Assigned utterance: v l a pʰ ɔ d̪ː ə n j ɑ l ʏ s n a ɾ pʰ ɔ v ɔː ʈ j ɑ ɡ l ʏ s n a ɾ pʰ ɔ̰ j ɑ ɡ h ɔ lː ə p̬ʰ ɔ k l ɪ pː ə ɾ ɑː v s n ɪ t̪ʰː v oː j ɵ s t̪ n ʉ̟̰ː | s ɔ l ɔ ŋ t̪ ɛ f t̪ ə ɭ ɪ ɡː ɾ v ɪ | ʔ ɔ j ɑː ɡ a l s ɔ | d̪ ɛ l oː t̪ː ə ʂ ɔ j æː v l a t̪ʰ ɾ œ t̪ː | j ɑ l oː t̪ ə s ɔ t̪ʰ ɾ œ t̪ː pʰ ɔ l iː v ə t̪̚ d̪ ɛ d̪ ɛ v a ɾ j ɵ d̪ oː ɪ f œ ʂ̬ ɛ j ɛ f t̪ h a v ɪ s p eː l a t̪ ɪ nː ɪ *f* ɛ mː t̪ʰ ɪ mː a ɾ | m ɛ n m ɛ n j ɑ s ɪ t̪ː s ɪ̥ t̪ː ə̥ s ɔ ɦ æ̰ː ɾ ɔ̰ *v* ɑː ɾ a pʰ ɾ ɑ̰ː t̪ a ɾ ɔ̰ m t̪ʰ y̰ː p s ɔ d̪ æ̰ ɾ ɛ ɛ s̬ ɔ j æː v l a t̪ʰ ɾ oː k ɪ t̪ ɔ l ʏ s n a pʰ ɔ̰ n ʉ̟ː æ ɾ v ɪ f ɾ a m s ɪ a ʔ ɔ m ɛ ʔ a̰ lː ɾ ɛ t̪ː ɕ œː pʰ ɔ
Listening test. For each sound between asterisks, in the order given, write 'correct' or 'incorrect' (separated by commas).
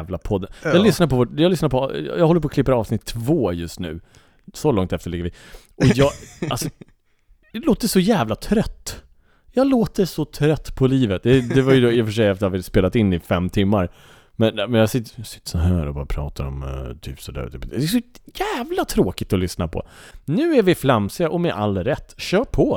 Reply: correct, incorrect